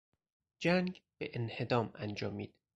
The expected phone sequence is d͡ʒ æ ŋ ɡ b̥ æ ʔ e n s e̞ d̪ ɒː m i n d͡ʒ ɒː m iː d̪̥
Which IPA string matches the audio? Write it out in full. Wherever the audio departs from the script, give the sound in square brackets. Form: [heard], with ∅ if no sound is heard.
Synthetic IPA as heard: d͡ʒ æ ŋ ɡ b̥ [e] ʔ e n [h] e̞ d̪ ɒː m [æ] n d͡ʒ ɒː m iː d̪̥